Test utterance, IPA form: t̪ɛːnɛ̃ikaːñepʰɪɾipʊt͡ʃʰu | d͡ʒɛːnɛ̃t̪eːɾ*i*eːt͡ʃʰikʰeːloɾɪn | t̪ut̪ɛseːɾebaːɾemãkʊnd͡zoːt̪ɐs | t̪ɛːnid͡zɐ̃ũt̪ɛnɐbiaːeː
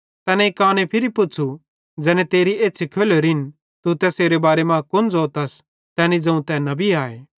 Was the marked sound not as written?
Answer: no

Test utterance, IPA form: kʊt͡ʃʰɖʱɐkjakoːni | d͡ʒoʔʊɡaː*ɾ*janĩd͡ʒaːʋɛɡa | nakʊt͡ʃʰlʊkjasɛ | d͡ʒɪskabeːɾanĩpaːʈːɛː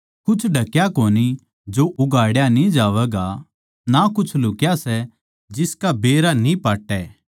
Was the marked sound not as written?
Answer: yes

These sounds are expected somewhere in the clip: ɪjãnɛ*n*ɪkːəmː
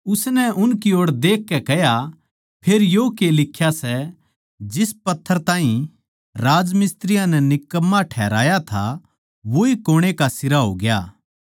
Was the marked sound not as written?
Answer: no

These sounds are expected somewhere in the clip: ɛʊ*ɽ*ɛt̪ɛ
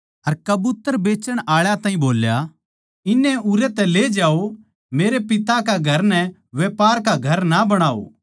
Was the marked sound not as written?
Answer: yes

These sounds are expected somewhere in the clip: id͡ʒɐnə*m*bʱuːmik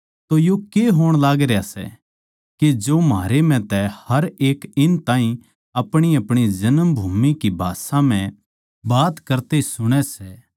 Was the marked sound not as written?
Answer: no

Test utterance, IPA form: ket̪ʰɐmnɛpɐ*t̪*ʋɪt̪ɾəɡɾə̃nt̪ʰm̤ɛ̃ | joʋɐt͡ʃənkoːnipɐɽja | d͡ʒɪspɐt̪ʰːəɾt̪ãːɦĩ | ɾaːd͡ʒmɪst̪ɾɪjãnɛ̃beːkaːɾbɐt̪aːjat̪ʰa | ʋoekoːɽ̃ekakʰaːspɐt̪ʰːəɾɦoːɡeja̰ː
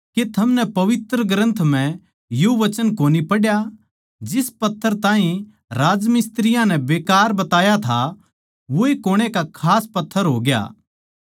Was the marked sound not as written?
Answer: yes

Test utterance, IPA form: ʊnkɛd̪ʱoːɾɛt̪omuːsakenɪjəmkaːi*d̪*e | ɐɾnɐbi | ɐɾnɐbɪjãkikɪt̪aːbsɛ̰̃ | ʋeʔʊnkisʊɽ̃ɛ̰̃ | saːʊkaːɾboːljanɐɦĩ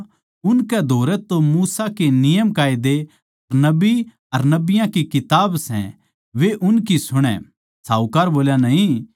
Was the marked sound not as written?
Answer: no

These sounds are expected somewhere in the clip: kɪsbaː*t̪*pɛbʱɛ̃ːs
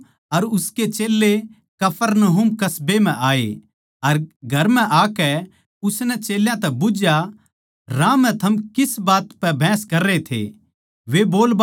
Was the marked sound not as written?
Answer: no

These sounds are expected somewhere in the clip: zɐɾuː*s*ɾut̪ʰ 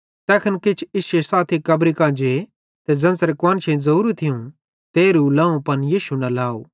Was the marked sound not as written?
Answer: yes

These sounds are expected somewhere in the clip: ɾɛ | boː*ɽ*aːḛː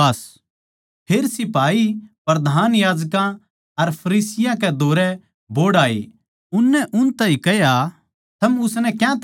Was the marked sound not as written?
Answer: no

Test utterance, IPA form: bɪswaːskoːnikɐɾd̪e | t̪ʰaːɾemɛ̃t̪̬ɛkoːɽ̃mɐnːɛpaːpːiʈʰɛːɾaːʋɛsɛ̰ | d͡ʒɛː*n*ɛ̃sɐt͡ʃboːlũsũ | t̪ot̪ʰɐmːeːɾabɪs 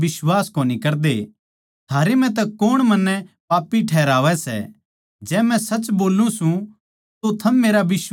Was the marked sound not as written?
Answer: yes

